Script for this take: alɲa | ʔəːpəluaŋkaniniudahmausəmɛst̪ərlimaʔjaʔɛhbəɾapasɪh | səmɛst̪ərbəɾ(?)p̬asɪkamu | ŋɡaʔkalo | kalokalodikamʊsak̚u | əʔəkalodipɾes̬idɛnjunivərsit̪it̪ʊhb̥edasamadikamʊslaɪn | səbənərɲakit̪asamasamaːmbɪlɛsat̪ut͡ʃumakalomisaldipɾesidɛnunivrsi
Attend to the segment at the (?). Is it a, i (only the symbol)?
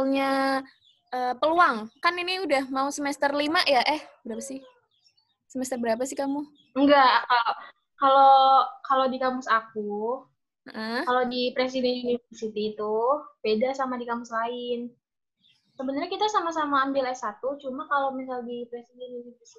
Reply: a